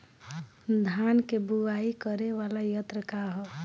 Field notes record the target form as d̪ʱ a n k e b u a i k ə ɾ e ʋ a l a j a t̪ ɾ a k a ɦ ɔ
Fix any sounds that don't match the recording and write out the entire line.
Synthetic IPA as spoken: d̪ʱ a n k e b u a i k ə ɾ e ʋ a l a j ə t̪ ɾ ə k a ɦ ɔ